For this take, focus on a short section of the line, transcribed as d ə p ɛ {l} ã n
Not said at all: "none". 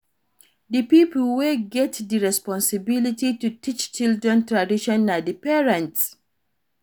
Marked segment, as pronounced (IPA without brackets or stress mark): ɹ